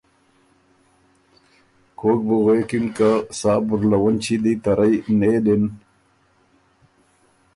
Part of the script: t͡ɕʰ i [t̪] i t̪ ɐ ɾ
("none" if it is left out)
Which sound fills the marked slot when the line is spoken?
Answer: d̪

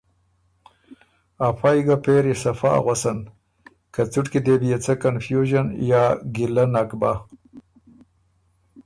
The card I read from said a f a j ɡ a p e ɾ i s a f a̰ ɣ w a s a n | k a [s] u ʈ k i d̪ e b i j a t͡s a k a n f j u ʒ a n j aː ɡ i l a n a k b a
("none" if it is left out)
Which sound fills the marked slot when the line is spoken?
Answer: t͡s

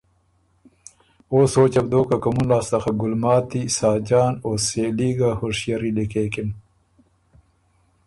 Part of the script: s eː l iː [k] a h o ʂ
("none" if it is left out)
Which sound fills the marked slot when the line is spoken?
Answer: ɡ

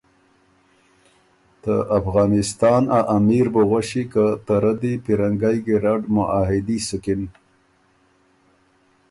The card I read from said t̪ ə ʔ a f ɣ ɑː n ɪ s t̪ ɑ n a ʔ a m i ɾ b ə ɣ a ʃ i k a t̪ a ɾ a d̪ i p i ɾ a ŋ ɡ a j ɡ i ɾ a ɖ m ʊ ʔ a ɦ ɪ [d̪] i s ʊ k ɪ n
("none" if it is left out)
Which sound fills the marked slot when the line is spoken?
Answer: d̪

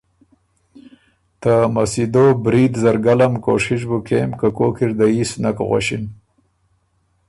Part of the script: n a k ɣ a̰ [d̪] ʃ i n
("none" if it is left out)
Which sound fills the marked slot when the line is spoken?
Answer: none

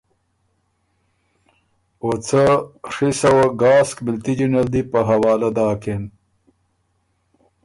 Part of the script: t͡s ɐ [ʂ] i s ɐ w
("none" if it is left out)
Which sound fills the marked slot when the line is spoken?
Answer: ʂ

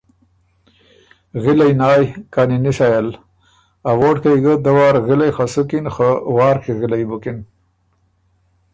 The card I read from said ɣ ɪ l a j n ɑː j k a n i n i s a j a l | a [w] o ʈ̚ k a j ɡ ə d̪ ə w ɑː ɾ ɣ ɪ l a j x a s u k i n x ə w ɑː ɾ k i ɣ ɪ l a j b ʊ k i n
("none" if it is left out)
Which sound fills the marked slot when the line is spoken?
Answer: w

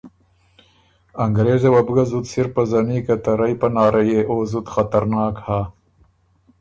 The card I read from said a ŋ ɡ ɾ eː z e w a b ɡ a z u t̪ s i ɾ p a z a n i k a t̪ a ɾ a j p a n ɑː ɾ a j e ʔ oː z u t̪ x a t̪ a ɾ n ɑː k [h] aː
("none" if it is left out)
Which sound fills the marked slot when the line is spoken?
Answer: h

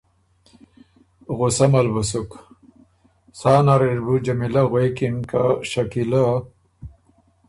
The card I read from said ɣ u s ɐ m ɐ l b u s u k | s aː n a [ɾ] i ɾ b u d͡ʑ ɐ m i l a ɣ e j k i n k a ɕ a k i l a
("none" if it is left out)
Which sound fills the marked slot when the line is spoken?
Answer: ɾ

